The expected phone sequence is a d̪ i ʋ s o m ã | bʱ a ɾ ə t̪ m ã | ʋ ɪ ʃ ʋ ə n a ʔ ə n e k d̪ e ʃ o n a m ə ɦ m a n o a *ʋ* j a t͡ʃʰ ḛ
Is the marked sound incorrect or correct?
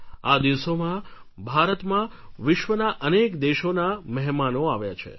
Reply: correct